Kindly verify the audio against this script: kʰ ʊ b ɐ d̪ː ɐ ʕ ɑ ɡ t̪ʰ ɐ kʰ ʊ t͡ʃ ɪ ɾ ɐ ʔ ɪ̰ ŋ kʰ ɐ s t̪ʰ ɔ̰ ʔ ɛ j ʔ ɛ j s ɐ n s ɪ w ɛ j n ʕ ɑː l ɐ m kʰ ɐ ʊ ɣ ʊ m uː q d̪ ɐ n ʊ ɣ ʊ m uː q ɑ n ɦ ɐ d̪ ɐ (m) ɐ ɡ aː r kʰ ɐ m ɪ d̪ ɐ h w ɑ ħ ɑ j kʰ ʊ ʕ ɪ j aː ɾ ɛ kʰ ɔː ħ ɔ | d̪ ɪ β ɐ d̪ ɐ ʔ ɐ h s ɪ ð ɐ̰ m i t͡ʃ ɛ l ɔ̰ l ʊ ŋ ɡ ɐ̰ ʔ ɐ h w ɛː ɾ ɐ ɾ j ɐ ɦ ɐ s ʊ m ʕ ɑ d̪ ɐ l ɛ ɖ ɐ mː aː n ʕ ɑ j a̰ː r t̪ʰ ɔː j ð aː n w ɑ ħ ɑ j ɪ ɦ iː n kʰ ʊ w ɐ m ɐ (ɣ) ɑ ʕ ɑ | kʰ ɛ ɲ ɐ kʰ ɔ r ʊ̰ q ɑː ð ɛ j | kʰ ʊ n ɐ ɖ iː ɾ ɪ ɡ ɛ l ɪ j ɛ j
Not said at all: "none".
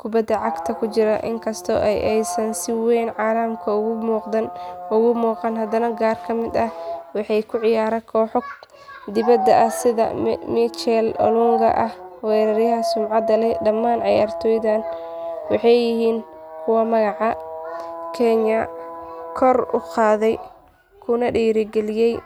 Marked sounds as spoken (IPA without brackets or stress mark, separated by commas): n, ɣ